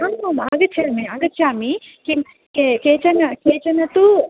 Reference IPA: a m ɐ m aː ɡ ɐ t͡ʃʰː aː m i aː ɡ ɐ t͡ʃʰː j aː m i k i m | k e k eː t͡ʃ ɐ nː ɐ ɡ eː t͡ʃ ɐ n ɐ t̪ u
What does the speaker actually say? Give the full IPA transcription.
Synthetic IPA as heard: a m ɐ m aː ɡ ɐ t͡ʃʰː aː m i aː ɡ ɐ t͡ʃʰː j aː m i k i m | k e k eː t͡ʃ ɐ n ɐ k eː t͡ʃ ɐ n ɐ t̪ u